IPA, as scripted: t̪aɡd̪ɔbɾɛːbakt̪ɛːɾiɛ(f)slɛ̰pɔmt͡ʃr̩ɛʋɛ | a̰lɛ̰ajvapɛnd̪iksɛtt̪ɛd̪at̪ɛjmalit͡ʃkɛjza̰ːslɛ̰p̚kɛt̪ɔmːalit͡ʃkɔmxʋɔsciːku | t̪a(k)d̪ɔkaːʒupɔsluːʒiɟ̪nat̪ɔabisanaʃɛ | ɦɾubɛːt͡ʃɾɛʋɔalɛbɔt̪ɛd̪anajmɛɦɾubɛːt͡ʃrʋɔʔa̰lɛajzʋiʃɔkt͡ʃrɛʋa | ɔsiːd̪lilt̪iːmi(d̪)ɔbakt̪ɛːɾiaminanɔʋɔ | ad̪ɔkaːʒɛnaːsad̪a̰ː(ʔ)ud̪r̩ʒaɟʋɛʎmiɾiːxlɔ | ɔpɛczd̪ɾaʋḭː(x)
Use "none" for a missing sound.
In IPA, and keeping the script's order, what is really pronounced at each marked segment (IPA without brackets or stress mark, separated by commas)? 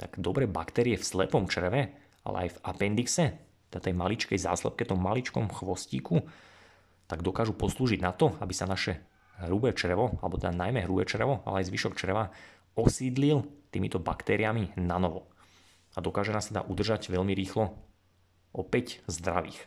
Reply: f, ɡ, t̪, ʔ, x